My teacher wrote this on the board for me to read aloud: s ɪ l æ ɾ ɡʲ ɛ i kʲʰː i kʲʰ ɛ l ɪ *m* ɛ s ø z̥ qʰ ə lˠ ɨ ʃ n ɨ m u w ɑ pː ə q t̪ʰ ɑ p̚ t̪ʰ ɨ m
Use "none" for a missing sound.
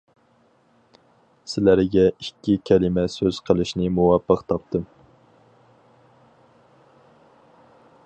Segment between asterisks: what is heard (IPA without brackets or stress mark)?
m